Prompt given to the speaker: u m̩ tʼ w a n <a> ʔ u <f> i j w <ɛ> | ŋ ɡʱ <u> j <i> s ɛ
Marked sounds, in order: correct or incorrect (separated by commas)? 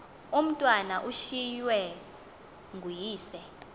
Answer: correct, incorrect, correct, correct, incorrect